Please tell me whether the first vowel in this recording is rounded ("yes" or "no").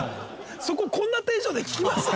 yes